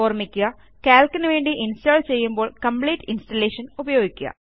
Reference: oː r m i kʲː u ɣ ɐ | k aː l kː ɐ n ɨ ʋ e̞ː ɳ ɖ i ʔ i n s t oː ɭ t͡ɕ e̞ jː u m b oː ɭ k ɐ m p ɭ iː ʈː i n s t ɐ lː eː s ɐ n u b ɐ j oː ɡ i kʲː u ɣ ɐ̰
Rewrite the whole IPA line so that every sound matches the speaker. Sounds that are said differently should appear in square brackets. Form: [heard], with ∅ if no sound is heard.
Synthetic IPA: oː r m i kʲː u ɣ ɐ | k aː l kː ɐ n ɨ ʋ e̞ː ɳ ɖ i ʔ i n s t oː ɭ t͡ɕ e̞ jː u m b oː ɭ k ɐ m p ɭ iː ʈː i n s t ɐ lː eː [ʂ] ɐ n u b ɐ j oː ɡ i kʲː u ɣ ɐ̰